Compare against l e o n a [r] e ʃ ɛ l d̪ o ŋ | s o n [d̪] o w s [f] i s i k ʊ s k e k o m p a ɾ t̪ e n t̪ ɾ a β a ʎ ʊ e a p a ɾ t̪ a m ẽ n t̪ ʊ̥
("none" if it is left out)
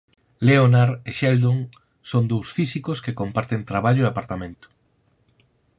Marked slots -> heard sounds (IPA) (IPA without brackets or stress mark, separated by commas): ɾ, d̪, f